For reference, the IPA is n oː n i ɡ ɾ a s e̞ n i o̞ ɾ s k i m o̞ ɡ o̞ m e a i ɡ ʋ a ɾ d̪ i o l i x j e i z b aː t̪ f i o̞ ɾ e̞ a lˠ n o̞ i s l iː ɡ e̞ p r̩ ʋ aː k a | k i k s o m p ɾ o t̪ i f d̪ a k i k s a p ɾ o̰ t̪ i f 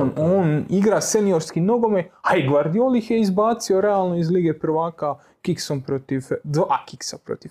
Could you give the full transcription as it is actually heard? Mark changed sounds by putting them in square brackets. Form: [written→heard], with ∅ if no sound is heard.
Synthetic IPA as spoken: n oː n i ɡ ɾ a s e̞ n i o̞ ɾ s k i [m→n] o̞ ɡ o̞ m e a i ɡ ʋ a ɾ d̪ i o l i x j e i z b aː t̪ [f→s] i o̞ ɾ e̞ a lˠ n o̞ i [s→z] l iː ɡ e̞ p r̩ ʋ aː k a | k i k s o m p ɾ o t̪ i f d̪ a k i k s a p ɾ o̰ t̪ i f